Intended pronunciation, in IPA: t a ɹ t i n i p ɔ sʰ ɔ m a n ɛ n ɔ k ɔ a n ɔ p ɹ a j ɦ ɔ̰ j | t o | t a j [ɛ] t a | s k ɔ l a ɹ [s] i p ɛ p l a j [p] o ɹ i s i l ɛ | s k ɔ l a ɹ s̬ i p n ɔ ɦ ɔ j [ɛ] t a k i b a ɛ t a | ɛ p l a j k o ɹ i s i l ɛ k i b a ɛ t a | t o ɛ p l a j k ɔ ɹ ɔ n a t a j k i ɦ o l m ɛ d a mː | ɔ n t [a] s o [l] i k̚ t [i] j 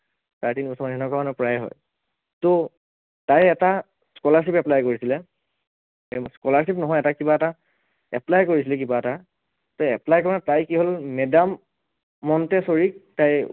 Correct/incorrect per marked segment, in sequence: correct, correct, incorrect, correct, incorrect, incorrect, incorrect

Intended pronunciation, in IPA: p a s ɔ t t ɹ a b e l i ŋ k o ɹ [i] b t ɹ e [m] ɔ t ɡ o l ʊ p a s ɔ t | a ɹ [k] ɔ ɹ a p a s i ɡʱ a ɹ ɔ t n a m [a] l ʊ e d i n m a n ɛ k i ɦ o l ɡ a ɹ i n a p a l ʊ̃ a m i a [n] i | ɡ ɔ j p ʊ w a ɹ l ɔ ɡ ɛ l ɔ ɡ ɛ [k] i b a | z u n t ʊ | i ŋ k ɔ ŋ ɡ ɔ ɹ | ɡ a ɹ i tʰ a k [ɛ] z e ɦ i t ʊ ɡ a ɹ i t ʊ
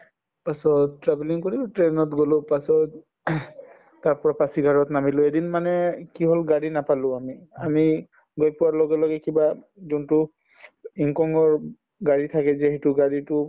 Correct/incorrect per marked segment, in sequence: correct, incorrect, incorrect, incorrect, incorrect, correct, correct

